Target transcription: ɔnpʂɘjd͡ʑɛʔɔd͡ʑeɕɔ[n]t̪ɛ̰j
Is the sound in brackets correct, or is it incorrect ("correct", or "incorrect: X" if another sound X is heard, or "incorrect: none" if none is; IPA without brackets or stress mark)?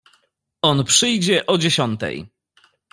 correct